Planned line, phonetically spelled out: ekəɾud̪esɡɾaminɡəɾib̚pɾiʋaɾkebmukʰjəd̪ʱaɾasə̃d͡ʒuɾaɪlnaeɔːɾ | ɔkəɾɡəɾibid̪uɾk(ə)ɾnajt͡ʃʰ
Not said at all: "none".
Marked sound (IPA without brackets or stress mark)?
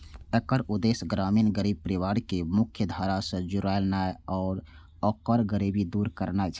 ə